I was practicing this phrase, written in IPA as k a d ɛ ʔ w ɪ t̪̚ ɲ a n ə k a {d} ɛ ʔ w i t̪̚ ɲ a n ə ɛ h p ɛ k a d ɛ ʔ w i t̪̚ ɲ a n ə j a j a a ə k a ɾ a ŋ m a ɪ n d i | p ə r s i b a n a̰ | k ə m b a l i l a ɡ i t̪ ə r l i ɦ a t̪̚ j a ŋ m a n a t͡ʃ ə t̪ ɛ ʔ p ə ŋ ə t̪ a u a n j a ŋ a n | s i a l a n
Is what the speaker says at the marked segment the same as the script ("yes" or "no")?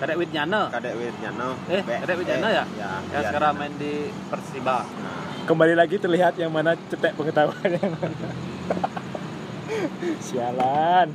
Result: yes